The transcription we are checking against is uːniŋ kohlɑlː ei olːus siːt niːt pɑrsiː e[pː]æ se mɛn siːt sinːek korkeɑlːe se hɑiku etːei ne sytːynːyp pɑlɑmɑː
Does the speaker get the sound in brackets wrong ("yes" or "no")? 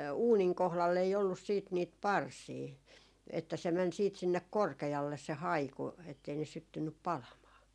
yes